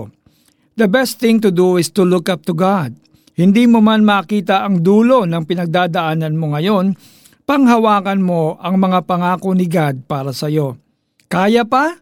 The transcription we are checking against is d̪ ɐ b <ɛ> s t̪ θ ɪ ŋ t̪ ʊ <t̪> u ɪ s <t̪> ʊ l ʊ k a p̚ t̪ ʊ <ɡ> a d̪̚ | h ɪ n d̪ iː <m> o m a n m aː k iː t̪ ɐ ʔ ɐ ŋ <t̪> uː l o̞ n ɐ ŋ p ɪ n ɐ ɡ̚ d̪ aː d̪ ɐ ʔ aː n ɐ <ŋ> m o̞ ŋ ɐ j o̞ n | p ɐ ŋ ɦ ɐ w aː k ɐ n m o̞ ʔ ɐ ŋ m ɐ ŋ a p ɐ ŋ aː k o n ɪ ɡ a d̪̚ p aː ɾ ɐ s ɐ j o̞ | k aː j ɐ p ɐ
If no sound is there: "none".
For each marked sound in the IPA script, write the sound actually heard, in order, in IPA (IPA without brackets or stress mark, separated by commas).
ɛ, d̪, t̪, ɡ, m, d̪, n